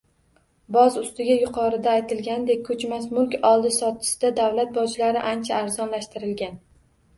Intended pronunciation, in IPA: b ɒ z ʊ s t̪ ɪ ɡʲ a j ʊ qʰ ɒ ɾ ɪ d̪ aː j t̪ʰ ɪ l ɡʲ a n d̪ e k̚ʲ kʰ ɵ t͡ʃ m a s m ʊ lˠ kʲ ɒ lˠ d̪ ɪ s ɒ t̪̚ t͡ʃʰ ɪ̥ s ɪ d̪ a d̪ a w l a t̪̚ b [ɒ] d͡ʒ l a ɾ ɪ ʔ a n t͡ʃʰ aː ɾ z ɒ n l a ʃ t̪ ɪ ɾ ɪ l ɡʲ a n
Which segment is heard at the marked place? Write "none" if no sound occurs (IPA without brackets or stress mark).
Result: ɒ